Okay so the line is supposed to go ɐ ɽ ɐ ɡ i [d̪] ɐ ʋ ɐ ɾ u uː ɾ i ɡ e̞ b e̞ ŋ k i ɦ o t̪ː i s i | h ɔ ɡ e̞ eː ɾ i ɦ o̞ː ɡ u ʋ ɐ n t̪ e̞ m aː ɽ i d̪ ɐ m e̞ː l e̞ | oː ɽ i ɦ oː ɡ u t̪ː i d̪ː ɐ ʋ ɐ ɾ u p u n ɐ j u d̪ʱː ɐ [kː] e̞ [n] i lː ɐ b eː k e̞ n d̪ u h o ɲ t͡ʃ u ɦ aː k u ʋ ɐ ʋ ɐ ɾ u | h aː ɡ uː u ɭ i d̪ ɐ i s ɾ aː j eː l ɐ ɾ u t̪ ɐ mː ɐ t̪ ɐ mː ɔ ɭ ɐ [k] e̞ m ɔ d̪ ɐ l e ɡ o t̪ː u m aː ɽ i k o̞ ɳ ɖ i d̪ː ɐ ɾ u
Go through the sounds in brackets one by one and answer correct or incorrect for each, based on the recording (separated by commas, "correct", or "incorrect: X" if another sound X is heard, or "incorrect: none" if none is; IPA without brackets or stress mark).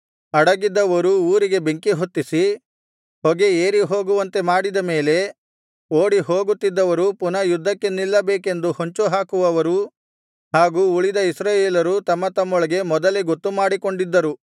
incorrect: d̪ː, correct, correct, incorrect: ɡ